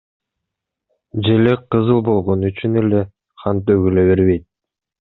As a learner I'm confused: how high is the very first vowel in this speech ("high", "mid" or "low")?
mid